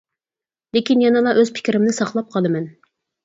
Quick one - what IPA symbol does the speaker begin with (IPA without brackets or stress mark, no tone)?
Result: l